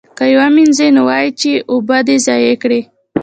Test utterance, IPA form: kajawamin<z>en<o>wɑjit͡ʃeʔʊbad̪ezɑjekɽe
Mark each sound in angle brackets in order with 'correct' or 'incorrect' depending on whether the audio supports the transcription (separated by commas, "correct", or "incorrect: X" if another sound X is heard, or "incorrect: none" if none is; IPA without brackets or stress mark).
correct, correct